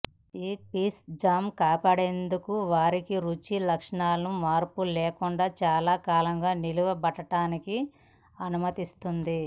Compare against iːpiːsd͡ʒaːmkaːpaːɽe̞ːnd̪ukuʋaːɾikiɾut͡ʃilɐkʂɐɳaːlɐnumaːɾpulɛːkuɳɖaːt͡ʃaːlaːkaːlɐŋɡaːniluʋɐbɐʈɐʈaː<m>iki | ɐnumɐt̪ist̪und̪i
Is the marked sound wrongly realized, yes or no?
yes